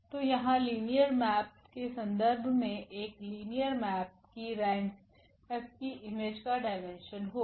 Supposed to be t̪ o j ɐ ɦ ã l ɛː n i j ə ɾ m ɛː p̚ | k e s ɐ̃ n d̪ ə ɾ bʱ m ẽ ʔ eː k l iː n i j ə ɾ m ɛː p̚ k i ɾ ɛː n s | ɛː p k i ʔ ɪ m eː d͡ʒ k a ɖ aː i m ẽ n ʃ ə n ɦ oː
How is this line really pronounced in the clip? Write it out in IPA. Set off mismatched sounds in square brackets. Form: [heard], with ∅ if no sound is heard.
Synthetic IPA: t̪ o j ɐ ɦ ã l [iː] n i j ə ɾ m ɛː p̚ | k e s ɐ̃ n d̪ ə ɾ bʱ m ẽ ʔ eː k l iː n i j ə ɾ m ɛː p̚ k i ɾ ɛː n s | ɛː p k i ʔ ɪ m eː d͡ʒ k a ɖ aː [ɪ] m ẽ n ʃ ə n ɦ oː